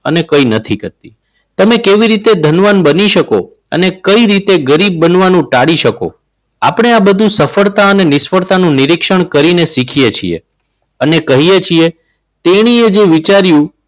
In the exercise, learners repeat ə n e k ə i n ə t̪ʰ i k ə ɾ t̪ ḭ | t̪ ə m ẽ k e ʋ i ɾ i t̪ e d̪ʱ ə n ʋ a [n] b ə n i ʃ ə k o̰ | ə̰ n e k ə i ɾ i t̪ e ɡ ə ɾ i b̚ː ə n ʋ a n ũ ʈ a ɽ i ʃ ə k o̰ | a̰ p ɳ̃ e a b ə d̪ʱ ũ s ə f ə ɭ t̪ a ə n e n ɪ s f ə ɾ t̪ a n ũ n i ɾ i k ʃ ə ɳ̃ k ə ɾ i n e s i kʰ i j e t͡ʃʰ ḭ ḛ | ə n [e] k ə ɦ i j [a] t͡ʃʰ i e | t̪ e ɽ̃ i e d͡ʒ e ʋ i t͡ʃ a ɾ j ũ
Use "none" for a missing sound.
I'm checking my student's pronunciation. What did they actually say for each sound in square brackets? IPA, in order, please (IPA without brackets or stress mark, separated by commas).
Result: n, e, e